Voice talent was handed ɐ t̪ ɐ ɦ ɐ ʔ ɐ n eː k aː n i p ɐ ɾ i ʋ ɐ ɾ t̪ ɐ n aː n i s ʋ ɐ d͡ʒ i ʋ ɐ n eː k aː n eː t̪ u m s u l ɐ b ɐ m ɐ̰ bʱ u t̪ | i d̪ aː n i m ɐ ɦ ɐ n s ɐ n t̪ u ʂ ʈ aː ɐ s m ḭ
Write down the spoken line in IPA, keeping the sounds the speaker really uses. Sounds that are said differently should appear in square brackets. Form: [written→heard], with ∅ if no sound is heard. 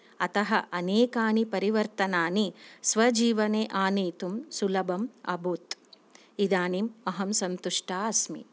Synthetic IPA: ɐ t̪ ɐ ɦ ɐ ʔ ɐ n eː k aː n i p ɐ ɾ i ʋ ɐ ɾ t̪ ɐ n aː n i s ʋ ɐ d͡ʒ [i→iː] ʋ ɐ n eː [k→ʔ] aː n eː t̪ u m s u l ɐ b ɐ m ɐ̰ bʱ u t̪ | i d̪ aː n i m ɐ ɦ ɐ [n→m] s ɐ n t̪ u ʂ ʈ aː ɐ s m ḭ